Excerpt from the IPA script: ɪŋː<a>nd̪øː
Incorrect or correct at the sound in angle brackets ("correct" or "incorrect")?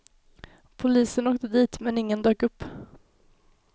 incorrect